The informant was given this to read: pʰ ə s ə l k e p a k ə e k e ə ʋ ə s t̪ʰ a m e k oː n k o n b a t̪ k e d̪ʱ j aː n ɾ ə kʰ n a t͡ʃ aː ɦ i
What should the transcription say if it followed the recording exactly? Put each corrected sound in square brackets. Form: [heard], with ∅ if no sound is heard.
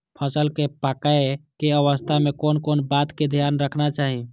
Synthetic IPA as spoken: pʰ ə s ə l k e p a k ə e k e ə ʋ ə s t̪ʰ a m e k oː n k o n b a t̪ k e d̪ʱ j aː n ɾ ə kʰ n a t͡ʃ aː ɦ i